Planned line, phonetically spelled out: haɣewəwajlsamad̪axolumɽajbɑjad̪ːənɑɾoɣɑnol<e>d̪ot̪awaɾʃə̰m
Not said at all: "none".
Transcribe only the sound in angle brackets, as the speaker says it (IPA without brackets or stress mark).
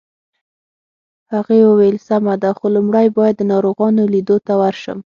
i